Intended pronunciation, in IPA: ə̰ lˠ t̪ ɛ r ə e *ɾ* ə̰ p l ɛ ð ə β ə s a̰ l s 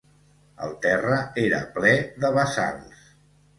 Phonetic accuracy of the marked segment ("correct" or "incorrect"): correct